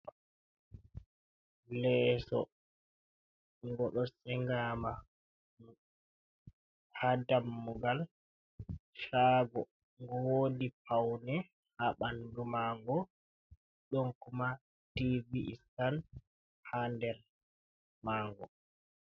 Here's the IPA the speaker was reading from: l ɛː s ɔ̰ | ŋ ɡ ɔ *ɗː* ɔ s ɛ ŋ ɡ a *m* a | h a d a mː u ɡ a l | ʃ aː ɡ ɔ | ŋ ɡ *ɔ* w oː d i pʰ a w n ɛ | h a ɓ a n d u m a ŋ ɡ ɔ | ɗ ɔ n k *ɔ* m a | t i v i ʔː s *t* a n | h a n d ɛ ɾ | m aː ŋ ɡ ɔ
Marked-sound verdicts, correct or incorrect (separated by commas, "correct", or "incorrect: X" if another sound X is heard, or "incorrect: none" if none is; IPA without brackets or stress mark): incorrect: ɗ, correct, correct, incorrect: u, correct